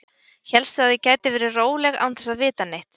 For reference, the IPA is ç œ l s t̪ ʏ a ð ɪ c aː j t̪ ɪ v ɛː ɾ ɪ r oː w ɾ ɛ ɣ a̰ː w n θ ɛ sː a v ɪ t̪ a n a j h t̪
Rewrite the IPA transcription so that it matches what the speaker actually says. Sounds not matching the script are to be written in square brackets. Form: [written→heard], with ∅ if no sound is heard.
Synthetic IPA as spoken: ç [œ→ɛ] l s t̪ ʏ a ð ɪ c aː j t̪ ɪ v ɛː ɾ ɪ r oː w [ɾ→l] ɛ ɣ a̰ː w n θ ɛ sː a v [ɪ→ɪː] t̪ a n [a→e] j h t̪